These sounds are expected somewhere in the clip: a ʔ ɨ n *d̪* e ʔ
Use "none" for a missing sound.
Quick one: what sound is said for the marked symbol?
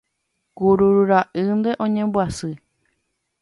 d̪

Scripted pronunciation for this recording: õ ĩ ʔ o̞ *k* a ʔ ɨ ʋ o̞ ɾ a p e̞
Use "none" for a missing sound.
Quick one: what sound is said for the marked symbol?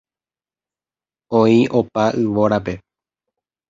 p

